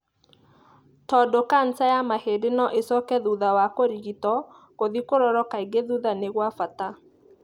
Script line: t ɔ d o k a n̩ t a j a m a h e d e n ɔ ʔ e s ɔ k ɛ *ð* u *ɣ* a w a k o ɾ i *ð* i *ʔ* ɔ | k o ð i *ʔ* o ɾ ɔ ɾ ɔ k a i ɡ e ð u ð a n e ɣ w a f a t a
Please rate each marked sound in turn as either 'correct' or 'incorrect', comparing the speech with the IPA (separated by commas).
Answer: correct, incorrect, incorrect, incorrect, incorrect